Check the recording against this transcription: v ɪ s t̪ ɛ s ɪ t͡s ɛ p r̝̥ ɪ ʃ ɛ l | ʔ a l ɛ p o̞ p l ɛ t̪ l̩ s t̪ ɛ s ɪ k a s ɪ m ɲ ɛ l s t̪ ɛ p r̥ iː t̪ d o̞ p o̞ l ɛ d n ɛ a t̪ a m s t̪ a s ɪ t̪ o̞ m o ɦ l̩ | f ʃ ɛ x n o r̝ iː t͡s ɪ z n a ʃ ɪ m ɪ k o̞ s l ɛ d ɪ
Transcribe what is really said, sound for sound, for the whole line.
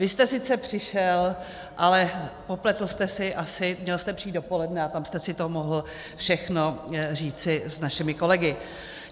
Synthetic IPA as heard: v ɪ s t̪ ɛ s ɪ t͡s ɛ p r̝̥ ɪ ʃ ɛ l | ʔ a l ɛ p o̞ p l ɛ t̪ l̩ s t̪ ɛ s ɪ ʔ a s ɪ m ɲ ɛ l s t̪ ɛ p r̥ iː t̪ d o̞ p o̞ l ɛ d n ɛ a t̪ a m s t̪ ɛ s ɪ t̪ o̞ m o ɦ l̩ | f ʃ ɛ x n o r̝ iː t͡s ɪ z n a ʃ ɪ m ɪ k o̞ l ɛ ɡ ɪ

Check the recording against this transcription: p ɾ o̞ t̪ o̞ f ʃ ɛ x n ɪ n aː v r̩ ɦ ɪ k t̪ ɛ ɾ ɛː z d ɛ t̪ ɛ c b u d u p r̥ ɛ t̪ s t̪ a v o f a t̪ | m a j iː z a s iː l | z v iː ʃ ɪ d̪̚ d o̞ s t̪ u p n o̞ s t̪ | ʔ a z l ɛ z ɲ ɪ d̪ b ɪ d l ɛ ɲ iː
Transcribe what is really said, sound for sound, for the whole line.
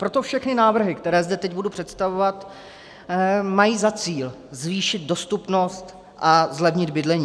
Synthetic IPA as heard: p ɾ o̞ t̪ o̞ f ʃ ɛ x n ɪ n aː v r̩ ɦ ɪ k t̪ ɛ ɾ ɛː z d ɛ t̪ ɛ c b u d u p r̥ ɛ t̪ s t̪ a v o v a t̪ | m a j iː z a t͡s iː l | z v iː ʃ ɪ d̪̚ d o̞ s t̪ u p n o̞ s t̪ | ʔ a z l ɛ v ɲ ɪ d̪ b ɪ d l ɛ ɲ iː

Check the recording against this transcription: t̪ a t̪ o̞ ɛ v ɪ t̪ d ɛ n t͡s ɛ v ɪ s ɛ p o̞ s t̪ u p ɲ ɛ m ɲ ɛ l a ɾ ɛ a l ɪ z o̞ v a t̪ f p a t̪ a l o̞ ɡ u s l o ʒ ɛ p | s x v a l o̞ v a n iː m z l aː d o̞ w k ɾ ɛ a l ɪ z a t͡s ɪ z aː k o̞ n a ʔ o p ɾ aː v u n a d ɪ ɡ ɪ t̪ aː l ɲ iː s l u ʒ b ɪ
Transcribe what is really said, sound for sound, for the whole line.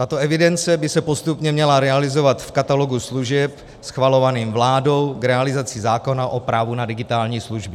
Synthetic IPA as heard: t̪ a t̪ o̞ ɛ v ɪ d ɛ n t͡s ɛ b ɪ s ɛ p o̞ s t̪ u p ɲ ɛ m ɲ ɛ l a ɾ ɛ a l ɪ z o̞ v a t̪ f k a t̪ a l o̞ ɡ u s l u ʒ ɛ p | s x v a l o̞ v a n iː m v l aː d o̞ w k ɾ ɛ a l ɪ z a t͡s ɪ z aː k o̞ n a ʔ o p ɾ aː v u n a d ɪ ɡ ɪ t̪ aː l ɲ iː s l u ʒ b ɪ

